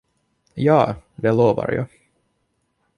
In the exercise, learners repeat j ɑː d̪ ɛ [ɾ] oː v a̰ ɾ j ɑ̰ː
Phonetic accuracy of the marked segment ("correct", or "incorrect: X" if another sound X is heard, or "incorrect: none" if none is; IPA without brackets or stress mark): incorrect: l